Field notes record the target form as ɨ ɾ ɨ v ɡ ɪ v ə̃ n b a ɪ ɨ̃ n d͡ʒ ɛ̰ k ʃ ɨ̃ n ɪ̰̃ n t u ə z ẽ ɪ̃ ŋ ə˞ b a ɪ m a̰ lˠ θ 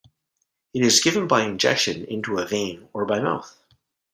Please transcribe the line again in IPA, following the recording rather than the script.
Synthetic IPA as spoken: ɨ ɾ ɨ z ɡ ɪ v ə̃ n b a ɪ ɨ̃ n d͡ʒ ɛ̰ k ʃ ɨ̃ n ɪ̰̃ n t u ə v ẽ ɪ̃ n ə˞ b a ɪ m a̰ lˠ θ